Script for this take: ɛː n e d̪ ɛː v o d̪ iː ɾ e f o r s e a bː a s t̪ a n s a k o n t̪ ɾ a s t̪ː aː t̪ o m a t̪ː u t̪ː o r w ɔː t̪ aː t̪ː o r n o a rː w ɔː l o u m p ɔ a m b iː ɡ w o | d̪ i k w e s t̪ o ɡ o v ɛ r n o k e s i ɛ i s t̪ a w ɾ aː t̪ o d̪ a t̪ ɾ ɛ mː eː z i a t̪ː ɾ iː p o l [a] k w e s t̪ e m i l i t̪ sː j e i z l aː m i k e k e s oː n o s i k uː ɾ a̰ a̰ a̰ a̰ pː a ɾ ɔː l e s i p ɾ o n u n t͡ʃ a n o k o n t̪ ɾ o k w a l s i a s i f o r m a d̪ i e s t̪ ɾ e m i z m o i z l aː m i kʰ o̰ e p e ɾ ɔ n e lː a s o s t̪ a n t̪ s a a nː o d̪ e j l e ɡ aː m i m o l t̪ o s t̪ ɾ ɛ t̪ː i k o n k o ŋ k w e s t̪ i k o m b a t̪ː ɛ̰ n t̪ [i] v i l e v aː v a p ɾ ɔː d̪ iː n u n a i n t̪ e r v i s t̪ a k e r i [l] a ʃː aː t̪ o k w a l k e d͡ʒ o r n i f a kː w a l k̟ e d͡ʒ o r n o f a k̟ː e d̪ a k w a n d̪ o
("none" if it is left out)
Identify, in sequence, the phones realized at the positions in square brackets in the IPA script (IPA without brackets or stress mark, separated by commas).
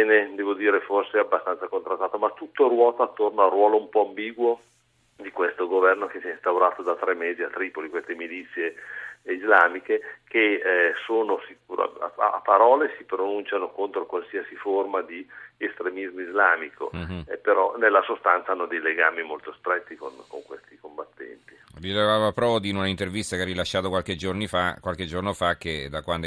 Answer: i, i, l